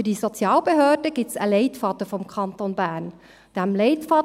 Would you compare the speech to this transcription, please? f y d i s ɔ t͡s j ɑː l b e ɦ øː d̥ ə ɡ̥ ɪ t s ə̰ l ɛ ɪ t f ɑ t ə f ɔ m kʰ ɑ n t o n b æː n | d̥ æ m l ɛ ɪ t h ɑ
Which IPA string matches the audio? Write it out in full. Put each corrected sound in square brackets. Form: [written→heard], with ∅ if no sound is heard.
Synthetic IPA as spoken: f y d i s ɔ t͡s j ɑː l b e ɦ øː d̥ ə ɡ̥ ɪ t s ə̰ l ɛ ɪ t f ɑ t ə f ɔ m kʰ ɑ n t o n b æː n | d̥ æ m l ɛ ɪ t [h→f] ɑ